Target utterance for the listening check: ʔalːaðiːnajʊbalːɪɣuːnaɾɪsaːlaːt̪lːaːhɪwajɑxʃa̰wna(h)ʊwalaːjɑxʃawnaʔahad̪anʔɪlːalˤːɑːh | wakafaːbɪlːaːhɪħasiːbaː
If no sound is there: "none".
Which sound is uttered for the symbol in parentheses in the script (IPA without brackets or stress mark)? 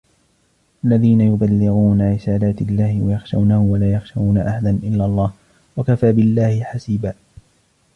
h